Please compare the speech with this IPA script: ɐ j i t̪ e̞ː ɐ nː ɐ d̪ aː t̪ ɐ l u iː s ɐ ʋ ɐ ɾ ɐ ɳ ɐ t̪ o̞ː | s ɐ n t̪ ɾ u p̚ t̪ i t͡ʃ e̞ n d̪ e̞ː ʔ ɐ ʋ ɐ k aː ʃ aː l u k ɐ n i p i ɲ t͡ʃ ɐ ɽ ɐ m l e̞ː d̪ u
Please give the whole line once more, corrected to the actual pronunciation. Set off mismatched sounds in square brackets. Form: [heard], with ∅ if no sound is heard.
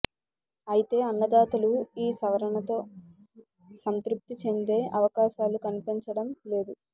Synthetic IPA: ɐ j i t̪ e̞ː ɐ nː ɐ d̪ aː t̪ ɐ l u iː s ɐ ʋ ɐ ɾ ɐ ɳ ɐ t̪ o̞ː | s ɐ n t̪ ɾ u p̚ t̪ i t͡ʃ e̞ n d̪ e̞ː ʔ ɐ ʋ ɐ k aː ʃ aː l u k ɐ n i p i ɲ t͡ʃ ɐ ɽ ɐ m l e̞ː d̪ u